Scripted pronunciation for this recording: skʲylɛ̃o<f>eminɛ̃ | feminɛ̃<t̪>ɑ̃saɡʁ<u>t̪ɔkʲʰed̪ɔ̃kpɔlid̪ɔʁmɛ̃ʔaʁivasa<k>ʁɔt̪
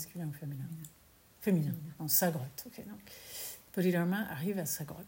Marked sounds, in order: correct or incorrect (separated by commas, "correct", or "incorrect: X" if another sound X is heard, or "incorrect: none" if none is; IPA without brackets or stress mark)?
correct, incorrect: none, incorrect: ɔ, incorrect: ɡ